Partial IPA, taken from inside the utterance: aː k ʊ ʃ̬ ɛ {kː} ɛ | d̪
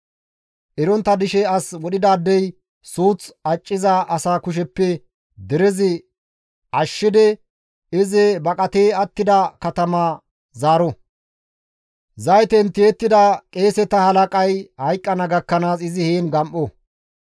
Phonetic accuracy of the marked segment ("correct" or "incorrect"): incorrect